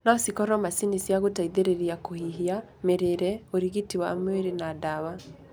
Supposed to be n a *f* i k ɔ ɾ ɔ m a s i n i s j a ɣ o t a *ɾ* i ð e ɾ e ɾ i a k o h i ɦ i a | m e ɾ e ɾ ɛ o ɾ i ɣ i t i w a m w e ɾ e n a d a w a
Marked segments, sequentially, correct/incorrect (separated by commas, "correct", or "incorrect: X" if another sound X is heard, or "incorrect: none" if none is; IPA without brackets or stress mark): incorrect: s, incorrect: none